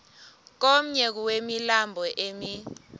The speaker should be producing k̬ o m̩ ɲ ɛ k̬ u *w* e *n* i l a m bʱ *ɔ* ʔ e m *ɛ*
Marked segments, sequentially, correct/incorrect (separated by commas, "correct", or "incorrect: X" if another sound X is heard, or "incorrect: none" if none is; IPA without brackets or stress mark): correct, incorrect: m, correct, incorrect: i